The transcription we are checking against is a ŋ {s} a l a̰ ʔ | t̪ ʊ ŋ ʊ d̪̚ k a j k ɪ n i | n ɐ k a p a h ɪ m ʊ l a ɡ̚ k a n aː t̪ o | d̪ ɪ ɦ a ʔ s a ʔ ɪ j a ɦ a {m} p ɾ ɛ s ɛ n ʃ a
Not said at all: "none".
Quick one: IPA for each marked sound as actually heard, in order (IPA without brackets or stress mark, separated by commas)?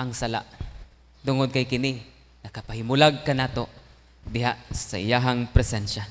s, ŋ